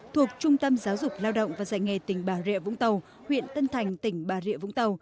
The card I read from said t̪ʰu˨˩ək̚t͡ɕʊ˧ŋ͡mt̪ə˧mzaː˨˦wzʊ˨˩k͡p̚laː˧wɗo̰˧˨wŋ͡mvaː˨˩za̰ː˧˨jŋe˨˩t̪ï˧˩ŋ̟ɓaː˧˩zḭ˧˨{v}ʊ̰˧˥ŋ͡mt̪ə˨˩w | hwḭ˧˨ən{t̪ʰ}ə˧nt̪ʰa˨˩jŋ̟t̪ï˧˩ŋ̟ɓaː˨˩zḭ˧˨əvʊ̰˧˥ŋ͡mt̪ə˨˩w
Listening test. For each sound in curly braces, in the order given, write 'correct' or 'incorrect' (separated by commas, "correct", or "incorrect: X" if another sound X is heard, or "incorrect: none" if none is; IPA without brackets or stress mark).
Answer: correct, incorrect: t̪